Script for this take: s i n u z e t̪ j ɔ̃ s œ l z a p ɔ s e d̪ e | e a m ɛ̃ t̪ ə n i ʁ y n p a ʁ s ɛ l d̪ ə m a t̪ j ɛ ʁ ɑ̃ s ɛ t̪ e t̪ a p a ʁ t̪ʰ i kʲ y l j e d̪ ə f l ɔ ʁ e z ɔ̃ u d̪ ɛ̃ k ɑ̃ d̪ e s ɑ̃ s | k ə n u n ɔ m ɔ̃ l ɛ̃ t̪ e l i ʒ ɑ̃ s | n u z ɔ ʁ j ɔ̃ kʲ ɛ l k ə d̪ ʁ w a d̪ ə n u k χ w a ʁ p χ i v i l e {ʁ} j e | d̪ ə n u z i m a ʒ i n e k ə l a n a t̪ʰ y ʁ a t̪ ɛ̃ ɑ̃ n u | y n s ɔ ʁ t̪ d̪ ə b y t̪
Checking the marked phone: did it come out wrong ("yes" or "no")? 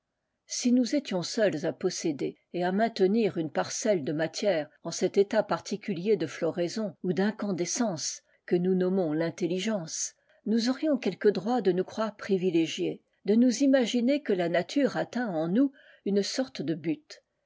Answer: yes